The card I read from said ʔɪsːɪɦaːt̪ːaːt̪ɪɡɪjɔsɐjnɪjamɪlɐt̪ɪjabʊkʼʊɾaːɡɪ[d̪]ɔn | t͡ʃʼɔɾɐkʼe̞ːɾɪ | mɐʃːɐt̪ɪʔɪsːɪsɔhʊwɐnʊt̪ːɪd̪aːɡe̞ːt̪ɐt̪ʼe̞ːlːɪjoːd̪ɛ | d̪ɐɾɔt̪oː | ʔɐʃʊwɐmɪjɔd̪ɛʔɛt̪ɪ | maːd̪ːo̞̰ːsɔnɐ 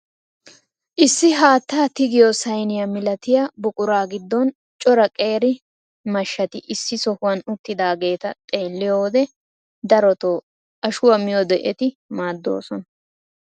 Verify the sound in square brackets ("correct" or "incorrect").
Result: incorrect